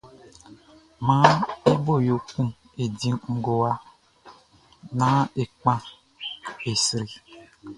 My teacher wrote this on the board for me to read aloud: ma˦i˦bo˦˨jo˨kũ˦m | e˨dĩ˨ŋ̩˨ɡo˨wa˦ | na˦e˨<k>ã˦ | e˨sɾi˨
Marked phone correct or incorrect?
incorrect